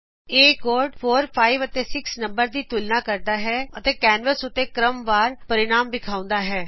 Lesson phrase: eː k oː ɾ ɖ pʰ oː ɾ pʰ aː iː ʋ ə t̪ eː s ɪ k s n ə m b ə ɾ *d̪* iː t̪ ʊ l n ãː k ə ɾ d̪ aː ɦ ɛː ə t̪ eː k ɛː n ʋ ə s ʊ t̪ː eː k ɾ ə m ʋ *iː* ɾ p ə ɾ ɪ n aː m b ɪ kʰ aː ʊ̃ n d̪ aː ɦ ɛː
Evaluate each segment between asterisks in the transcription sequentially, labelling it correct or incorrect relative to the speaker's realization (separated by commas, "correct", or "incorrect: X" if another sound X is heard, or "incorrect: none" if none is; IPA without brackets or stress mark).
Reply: correct, incorrect: aː